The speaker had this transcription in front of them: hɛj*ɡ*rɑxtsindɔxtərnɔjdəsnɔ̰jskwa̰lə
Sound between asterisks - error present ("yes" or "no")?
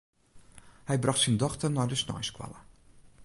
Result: yes